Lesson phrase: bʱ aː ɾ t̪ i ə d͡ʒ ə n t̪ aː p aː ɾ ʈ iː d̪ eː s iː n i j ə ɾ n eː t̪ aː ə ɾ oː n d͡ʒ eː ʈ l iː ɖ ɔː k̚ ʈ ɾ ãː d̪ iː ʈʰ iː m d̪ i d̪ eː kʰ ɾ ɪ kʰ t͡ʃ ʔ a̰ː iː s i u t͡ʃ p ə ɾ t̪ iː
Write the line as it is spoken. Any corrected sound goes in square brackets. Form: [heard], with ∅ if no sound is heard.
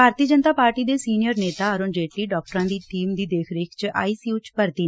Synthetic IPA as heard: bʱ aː ɾ t̪ i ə d͡ʒ ə n t̪ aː p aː ɾ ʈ iː d̪ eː s iː n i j ə ɾ n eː t̪ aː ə ɾ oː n d͡ʒ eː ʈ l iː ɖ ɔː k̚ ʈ ɾ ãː d̪ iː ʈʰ iː m d̪ [iː] d̪ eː kʰ ɾ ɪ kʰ t͡ʃ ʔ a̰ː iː s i u t͡ʃ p ə ɾ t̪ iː